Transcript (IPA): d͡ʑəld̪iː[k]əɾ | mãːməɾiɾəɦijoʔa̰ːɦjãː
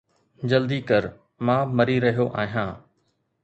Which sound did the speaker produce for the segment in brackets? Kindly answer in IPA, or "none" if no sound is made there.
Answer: k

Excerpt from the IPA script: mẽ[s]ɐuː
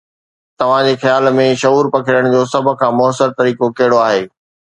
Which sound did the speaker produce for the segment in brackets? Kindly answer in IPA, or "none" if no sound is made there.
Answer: ʃ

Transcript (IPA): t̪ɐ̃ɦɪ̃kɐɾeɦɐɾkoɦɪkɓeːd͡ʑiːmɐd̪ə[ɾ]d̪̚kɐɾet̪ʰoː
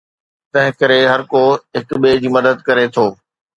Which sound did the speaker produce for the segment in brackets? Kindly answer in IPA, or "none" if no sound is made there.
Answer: none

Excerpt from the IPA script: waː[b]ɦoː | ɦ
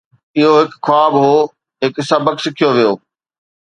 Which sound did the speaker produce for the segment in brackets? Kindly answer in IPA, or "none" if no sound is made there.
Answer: b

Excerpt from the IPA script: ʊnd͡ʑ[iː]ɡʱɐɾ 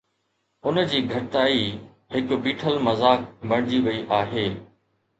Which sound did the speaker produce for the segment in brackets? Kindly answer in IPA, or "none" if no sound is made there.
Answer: iː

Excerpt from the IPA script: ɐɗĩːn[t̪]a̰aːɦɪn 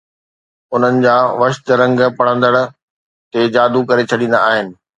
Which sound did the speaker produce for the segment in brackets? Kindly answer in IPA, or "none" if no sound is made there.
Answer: d̪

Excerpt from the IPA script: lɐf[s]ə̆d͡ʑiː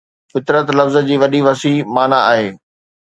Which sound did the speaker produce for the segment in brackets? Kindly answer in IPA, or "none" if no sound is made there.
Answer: z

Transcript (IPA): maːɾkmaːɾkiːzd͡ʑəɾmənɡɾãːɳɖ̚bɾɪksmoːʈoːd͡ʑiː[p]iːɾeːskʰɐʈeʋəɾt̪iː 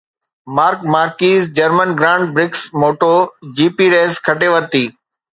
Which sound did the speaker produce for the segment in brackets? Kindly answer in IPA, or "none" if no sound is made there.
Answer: p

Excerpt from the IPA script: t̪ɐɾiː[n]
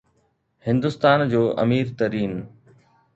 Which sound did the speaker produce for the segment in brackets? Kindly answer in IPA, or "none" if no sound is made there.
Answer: n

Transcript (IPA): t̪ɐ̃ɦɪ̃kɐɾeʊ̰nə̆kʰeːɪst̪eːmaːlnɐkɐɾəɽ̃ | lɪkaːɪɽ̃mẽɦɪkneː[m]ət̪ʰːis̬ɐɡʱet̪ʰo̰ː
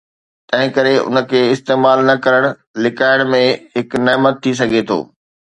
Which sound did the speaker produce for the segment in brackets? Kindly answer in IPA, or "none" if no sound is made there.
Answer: m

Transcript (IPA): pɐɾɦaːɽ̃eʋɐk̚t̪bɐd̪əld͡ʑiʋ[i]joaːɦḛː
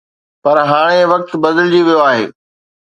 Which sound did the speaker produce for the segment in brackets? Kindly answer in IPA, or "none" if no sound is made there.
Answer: i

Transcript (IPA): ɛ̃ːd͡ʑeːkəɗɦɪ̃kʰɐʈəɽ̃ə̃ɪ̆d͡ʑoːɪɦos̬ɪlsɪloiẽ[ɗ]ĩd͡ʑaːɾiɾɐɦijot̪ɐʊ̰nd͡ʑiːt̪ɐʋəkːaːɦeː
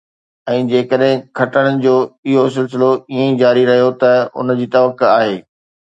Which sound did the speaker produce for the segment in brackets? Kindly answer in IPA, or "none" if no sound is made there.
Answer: none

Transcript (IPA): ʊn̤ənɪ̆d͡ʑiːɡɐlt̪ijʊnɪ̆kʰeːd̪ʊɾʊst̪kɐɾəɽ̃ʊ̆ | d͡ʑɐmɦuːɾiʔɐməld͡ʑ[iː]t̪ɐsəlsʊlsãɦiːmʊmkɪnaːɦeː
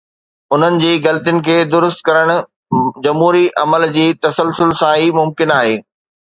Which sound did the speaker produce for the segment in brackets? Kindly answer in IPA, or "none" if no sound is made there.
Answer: iː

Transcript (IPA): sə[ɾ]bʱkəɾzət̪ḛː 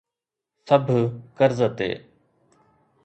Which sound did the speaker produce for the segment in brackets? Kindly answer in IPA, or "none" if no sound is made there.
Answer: none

